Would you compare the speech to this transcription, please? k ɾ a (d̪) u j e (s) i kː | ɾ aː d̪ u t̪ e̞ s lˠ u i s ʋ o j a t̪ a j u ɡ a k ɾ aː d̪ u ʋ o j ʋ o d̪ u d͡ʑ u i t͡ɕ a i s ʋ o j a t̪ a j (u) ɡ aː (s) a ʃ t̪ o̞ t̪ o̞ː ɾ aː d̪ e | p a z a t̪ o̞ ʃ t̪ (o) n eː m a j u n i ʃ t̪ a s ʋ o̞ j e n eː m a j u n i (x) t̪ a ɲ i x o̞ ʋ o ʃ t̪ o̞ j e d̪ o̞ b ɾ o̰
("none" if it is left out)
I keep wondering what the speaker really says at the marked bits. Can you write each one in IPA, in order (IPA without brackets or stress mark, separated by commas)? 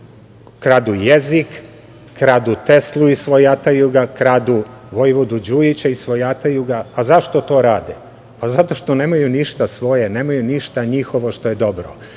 d̪, z, u, z, o, ʃ